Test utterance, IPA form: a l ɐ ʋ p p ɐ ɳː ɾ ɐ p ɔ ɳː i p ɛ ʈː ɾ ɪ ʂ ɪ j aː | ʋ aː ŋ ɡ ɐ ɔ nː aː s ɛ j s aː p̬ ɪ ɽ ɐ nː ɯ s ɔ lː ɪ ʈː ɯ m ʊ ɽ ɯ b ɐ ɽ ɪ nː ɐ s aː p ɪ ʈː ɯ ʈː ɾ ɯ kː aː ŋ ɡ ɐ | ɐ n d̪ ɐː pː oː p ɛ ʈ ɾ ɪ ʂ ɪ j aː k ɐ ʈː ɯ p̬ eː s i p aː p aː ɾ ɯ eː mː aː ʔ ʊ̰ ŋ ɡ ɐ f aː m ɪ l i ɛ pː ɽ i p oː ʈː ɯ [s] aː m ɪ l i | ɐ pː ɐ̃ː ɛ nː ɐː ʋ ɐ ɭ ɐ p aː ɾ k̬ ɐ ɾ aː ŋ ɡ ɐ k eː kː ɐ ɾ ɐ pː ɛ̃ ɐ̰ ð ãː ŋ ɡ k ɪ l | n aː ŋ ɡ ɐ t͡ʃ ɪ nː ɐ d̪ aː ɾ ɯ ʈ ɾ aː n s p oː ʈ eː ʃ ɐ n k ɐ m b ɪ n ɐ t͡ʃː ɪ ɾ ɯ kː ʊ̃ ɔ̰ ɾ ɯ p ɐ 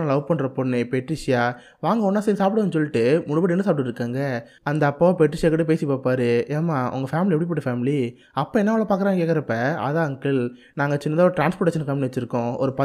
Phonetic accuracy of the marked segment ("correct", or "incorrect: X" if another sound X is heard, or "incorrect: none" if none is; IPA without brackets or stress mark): incorrect: f